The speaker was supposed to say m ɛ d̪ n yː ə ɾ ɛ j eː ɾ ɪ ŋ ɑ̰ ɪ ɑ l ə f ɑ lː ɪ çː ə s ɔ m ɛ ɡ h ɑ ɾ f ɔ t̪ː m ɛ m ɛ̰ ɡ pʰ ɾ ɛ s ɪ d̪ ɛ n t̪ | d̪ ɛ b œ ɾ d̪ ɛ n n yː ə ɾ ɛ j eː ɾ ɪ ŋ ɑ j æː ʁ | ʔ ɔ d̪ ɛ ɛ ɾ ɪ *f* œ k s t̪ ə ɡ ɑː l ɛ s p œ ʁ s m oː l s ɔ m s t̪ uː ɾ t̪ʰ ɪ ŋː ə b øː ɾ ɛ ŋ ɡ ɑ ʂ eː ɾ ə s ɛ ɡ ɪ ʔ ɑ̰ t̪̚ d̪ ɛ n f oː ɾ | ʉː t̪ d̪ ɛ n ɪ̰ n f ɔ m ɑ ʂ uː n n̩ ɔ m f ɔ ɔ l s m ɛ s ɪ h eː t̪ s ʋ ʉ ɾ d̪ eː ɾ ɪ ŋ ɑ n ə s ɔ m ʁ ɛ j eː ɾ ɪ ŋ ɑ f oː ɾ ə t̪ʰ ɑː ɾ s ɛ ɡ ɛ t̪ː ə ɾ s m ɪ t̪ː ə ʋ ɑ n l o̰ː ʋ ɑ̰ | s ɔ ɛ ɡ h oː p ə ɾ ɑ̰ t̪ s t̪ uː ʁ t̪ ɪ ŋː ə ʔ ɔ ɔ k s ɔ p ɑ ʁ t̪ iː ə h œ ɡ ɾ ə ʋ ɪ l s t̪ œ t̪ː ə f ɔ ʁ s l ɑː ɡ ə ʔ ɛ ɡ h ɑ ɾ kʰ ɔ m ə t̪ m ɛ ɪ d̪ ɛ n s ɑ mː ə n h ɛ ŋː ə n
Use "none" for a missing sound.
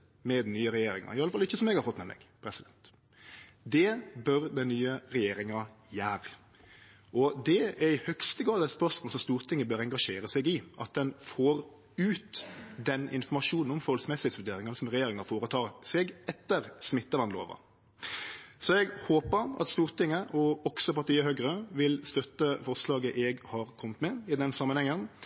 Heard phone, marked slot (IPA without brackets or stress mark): h